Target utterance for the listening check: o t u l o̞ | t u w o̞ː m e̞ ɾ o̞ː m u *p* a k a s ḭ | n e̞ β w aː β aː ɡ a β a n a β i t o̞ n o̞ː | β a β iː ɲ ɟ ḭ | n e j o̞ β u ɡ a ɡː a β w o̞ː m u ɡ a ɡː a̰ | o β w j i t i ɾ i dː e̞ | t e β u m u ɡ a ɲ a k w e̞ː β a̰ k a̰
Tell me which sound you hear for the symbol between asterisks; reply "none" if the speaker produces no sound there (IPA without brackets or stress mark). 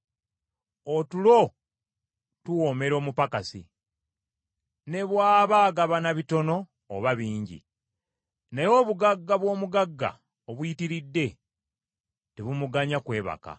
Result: p